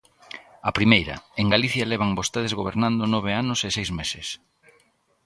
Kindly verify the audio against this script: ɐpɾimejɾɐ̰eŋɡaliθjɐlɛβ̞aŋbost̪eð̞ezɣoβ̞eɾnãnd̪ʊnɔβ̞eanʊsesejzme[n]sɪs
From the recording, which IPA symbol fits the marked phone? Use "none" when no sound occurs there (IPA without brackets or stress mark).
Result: none